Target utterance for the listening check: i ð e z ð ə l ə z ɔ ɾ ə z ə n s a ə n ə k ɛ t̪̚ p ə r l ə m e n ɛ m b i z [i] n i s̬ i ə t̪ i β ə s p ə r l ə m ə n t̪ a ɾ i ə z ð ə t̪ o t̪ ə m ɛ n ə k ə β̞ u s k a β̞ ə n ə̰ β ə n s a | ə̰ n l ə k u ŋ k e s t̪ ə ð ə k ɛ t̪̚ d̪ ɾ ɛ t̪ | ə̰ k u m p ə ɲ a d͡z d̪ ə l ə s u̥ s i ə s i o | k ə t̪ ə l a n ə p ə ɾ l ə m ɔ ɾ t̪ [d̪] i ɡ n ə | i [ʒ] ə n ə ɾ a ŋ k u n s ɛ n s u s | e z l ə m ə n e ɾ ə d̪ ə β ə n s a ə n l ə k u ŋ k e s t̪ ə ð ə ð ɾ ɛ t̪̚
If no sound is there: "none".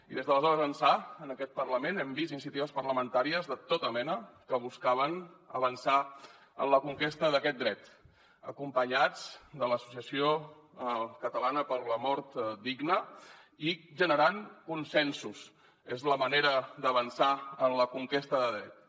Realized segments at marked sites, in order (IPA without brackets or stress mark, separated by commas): i, d̪, ʒ